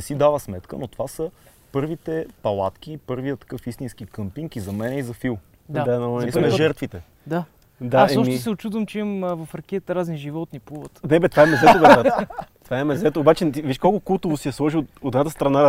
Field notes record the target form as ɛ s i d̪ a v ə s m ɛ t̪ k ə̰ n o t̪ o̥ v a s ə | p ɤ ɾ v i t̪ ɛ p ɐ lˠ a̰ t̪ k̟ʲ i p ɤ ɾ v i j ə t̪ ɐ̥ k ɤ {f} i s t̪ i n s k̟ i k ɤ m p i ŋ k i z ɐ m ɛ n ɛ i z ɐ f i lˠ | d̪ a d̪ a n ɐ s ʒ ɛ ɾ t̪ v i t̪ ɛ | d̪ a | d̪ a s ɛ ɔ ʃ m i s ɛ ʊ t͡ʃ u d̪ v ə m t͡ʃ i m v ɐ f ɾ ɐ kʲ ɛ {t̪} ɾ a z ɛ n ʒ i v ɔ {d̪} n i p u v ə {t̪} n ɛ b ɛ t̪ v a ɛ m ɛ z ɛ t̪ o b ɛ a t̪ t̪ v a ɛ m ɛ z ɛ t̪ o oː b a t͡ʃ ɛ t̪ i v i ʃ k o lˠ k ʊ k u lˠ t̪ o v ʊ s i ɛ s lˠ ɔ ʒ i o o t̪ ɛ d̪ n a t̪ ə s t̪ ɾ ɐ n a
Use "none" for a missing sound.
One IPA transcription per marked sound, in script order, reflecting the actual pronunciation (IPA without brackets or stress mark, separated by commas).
f, t̪, t̪, t̪